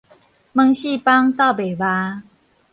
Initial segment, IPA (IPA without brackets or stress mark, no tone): m